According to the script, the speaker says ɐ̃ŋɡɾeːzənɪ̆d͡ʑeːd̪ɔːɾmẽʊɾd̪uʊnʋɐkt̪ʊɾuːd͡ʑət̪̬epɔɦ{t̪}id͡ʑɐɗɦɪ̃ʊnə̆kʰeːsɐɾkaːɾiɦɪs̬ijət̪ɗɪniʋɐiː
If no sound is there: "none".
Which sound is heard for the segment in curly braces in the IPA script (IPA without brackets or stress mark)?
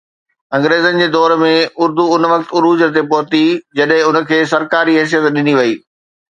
t̪